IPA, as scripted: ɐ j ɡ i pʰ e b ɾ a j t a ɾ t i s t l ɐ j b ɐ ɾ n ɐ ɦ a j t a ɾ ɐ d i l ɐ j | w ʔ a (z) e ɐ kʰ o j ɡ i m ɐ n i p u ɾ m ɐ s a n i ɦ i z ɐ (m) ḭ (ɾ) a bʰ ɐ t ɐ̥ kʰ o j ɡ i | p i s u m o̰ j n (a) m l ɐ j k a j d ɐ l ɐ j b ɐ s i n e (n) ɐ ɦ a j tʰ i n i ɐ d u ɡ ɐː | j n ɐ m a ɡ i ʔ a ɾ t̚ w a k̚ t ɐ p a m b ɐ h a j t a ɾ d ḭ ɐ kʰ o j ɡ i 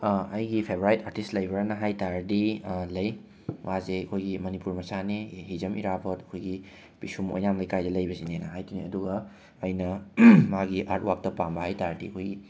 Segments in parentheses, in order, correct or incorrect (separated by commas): correct, correct, correct, correct, correct